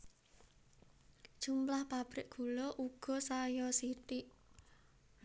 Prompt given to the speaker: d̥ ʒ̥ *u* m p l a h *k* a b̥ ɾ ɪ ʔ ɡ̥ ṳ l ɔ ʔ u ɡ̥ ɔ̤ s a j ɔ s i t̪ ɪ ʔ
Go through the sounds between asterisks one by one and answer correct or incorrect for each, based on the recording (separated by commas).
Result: correct, incorrect